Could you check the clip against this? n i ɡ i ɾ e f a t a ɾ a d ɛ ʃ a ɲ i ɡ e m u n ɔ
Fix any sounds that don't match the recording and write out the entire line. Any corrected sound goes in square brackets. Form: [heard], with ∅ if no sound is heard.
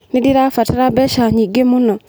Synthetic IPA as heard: n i [d] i ɾ [a] f a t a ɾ a [b] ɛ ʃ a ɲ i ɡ e m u n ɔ

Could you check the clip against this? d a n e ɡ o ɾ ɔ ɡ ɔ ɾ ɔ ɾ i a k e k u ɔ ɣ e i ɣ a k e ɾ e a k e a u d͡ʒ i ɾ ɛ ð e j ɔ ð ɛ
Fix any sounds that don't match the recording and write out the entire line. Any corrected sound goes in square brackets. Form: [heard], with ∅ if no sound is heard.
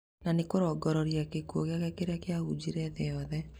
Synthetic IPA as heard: [n] a n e [k] o ɾ ɔ ɡ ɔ ɾ ɔ ɾ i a k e k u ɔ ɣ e [a] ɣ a k e ɾ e a k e a u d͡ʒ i ɾ ɛ ð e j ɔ ð ɛ

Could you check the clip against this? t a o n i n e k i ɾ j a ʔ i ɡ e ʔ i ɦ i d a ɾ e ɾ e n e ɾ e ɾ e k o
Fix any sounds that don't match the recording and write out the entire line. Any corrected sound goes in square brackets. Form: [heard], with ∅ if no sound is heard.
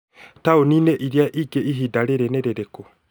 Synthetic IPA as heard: t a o n i n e [ʔ] i ɾ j a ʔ i ɡ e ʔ i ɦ i d a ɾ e ɾ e n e ɾ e ɾ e k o

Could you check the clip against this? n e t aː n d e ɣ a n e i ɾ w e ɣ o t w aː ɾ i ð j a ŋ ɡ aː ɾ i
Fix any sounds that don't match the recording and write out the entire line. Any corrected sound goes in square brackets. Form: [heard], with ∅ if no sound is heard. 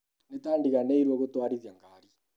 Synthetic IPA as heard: n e t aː n d [i] ɣ a n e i ɾ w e ɣ o t w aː ɾ i ð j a ŋ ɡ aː ɾ i

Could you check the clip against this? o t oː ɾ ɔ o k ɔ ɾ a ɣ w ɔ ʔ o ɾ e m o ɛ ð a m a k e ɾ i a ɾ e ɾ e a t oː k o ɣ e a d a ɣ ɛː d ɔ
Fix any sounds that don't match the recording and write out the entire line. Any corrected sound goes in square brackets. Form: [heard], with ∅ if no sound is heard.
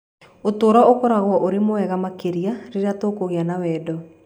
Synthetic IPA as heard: o t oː ɾ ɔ o k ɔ ɾ a ɣ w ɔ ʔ o ɾ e m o ɛ [ɣ] a m a k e ɾ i a ɾ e ɾ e a t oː k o ɣ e a [n] a [w] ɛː d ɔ

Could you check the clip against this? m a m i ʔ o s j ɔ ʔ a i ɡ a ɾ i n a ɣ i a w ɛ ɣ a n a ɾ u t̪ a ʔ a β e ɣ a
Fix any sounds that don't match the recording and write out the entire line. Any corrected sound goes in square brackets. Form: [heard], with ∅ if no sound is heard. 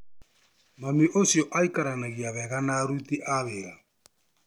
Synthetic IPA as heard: m a m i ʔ o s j ɔ ʔ a i [k] a ɾ [a] n a ɣ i a [β] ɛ ɣ a n a ɾ u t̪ [i] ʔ a β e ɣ a

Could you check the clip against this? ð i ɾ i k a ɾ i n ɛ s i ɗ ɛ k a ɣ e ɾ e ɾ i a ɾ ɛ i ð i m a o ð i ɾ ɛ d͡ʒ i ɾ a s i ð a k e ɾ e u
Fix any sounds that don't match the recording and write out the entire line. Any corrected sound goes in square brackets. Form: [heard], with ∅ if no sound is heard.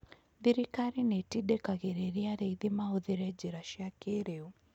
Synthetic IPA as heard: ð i ɾ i k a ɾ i n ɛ [t] i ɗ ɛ k a ɣ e ɾ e ɾ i a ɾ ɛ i ð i m a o ð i ɾ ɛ d͡ʒ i ɾ a [ʃ] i [∅] a k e ɾ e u

